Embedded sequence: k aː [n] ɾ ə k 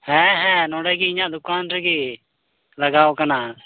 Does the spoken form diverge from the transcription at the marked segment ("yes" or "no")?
no